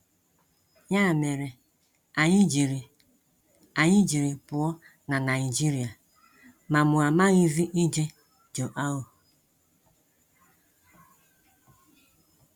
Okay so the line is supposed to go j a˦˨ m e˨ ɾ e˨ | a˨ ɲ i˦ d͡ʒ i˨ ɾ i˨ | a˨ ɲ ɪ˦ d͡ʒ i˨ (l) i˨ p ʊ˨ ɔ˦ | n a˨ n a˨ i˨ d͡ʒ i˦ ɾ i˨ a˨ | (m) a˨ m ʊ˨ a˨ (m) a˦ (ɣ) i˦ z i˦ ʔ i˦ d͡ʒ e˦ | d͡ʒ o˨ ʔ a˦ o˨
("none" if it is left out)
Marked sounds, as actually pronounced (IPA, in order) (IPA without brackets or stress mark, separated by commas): ɾ, m, m, ɣ